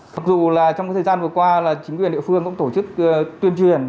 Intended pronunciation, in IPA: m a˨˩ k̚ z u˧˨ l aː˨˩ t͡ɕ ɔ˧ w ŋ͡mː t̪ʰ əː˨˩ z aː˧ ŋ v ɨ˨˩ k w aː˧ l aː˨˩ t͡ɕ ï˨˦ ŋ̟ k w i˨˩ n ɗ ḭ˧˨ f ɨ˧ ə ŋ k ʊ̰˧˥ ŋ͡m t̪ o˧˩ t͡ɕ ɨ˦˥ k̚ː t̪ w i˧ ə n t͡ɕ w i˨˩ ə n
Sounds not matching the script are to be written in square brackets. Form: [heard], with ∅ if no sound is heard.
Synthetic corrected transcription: m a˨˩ k̚ z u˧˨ l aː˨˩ t͡ɕ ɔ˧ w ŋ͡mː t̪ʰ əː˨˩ z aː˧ [n] v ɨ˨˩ k w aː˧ l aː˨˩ t͡ɕ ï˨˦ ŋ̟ k w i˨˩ n ɗ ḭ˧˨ f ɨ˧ ə ŋ k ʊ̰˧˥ ŋ͡m t̪ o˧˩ t͡ɕ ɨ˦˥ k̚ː t̪ w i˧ ə n t͡ɕ w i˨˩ ə n